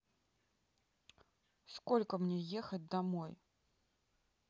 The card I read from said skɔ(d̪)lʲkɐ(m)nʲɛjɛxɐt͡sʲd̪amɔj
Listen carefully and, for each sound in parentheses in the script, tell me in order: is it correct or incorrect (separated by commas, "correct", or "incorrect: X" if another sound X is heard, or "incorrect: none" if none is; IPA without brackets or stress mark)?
incorrect: none, correct